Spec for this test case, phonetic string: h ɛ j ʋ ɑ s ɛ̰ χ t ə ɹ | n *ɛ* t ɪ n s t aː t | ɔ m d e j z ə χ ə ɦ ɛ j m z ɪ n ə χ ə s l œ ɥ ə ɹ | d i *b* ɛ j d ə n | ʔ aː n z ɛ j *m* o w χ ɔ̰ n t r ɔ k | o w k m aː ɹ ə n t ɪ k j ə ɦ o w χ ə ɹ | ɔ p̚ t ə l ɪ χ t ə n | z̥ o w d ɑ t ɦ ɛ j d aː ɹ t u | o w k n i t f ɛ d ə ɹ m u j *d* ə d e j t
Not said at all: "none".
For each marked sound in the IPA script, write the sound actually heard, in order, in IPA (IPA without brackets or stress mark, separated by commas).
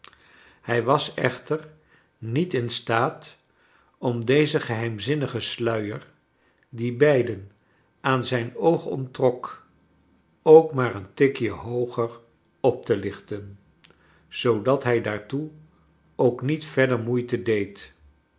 i, b, n, t